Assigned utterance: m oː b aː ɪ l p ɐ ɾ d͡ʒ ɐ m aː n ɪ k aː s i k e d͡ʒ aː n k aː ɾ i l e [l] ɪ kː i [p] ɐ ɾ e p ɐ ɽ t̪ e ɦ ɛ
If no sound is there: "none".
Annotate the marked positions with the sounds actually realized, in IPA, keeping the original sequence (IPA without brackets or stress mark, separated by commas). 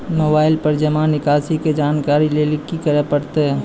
l, k